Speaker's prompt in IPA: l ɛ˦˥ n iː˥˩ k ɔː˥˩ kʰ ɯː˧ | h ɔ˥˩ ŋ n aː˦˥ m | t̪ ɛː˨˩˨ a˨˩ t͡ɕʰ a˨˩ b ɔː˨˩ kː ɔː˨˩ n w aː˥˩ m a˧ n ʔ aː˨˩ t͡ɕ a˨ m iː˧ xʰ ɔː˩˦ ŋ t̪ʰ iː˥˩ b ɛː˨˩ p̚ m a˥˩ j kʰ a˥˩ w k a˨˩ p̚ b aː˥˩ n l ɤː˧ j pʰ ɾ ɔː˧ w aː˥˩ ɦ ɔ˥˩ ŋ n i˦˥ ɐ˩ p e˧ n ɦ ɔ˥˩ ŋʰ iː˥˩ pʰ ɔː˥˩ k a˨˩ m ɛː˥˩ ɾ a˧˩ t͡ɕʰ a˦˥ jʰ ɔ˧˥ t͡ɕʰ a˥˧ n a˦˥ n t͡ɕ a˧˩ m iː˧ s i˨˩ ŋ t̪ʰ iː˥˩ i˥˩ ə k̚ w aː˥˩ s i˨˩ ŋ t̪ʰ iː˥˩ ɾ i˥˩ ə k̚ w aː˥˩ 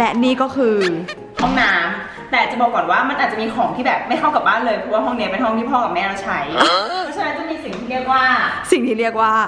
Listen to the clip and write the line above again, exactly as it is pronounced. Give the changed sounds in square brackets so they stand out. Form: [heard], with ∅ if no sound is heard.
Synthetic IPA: l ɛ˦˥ n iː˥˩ k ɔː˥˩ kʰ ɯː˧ | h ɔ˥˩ ŋ n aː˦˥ m | t̪ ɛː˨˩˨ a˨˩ [t͡ɕ] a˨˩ b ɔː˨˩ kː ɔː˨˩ n w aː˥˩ m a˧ n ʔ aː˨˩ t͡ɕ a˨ m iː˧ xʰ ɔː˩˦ ŋ t̪ʰ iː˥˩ b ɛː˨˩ p̚ m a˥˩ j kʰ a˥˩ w k a˨˩ p̚ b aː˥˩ n l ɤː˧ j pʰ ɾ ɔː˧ w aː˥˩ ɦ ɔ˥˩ ŋ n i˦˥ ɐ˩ p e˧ n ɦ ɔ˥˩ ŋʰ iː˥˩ pʰ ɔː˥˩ k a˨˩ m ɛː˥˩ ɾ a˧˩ t͡ɕʰ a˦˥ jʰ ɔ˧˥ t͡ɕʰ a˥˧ n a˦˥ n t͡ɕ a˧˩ m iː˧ s i˨˩ ŋ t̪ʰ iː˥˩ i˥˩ ə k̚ w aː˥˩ s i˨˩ ŋ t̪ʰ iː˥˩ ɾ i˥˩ ə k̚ w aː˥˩